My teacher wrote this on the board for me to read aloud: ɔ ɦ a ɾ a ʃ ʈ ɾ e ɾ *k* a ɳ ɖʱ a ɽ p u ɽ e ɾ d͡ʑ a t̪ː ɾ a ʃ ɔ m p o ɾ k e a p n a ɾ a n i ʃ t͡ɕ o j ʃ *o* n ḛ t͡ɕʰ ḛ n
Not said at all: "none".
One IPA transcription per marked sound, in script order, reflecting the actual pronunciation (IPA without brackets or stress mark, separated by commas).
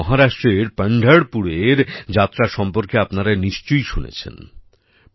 p, u